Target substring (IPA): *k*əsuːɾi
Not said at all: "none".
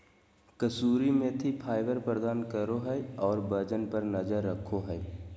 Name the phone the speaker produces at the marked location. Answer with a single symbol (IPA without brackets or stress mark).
k